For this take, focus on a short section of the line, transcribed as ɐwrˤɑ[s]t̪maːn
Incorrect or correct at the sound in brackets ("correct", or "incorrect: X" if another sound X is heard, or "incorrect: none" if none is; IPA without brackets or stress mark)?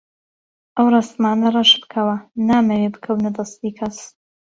correct